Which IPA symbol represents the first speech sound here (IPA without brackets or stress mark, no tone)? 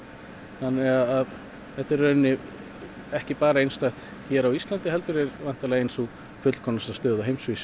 θ